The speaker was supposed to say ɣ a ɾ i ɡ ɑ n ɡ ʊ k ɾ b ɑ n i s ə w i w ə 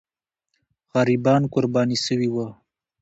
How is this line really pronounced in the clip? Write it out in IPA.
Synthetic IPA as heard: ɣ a ɾ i b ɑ n k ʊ ɾ b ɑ n i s ə w i w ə